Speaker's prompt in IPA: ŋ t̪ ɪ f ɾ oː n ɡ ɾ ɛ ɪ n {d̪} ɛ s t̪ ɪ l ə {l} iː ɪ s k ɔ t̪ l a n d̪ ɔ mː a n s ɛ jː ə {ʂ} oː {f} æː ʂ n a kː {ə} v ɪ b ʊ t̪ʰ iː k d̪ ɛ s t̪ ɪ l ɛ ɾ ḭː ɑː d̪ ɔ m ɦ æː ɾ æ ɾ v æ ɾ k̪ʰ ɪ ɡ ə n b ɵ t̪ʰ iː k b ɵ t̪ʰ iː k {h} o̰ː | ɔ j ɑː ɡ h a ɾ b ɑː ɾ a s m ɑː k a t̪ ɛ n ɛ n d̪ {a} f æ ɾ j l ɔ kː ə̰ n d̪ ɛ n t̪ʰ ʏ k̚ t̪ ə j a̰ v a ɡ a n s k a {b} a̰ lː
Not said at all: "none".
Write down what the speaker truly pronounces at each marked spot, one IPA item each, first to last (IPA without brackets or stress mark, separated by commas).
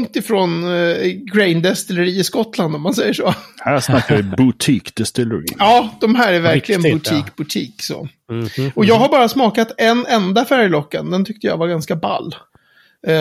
d̪, ɾ, ʂ, h, a, s, a, b